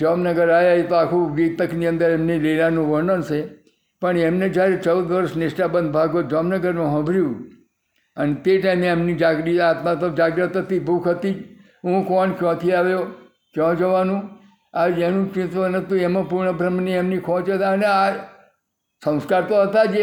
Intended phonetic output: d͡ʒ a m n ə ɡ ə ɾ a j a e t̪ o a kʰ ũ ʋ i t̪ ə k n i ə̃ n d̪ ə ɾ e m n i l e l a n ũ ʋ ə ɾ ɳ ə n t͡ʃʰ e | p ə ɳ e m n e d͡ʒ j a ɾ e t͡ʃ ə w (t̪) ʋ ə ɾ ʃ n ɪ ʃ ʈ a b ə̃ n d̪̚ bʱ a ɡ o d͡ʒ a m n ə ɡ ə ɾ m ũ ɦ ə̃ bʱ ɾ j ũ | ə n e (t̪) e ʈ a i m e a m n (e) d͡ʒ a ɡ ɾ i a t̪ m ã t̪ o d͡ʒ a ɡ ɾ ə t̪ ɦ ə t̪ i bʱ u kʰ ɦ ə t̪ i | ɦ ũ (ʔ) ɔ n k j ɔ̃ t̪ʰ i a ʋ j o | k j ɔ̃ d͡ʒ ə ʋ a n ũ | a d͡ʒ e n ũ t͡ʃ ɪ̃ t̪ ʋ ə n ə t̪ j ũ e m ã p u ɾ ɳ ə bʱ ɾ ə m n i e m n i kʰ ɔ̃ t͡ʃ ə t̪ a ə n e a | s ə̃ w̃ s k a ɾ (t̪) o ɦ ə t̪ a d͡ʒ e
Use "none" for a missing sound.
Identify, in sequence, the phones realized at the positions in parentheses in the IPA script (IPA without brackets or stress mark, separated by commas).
d̪, t̪, i, k, t̪